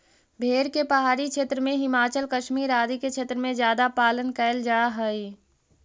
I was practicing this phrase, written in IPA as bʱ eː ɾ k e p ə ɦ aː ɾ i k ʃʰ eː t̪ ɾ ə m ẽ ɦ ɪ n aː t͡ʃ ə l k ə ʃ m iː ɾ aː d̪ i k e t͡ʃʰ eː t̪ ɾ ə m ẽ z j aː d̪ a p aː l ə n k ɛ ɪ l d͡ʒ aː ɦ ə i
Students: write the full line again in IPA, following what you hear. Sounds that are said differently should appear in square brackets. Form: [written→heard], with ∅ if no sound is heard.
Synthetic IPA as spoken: bʱ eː ɾ k e p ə ɦ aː ɾ i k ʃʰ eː t̪ ɾ ə m ẽ ɦ ɪ [n→m] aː t͡ʃ ə l k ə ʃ m iː ɾ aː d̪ i k e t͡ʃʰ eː t̪ ɾ ə m ẽ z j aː d̪ a p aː l ə n k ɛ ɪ l d͡ʒ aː ɦ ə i